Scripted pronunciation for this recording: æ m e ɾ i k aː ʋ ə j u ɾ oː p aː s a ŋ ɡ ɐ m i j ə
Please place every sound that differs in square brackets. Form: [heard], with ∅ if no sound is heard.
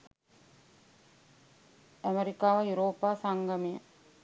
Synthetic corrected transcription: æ m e ɾ i k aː ʋ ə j u ɾ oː p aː s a ŋ ɡ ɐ m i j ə